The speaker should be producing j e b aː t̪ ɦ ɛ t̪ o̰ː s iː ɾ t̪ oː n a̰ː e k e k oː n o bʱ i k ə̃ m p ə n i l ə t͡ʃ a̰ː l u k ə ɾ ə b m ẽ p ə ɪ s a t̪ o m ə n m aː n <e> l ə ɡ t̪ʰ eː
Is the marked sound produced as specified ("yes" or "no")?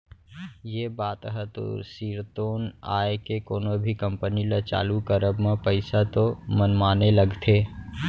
yes